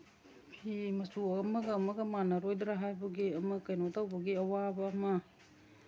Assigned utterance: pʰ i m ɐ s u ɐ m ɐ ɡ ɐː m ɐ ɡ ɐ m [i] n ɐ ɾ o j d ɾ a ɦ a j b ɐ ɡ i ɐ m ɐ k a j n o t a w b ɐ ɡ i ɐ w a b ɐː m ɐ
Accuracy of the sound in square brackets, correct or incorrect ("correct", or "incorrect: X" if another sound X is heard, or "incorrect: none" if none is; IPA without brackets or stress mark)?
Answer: incorrect: a